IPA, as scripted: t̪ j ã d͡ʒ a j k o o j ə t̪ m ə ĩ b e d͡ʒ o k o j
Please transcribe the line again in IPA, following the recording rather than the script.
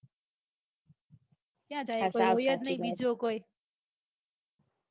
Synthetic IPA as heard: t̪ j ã d͡ʒ a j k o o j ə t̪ n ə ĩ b i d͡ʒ o k o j

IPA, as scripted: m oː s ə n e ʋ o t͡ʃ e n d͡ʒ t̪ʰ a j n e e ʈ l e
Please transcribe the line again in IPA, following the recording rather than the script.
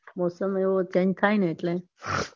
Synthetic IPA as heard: m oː s ə m e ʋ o t͡ʃ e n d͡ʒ t̪ʰ a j n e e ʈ l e

